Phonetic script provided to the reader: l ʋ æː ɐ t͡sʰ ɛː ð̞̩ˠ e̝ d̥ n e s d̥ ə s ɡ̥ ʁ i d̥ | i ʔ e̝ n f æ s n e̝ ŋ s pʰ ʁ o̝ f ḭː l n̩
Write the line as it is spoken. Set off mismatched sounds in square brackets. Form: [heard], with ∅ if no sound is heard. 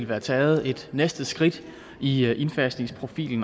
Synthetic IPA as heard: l ʋ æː ɐ t͡sʰ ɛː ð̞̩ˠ e̝ d̥ n e s d̥ ə s ɡ̥ ʁ i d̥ | i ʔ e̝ n f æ s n e̝ ŋ s pʰ ʁ o̝ f ḭː l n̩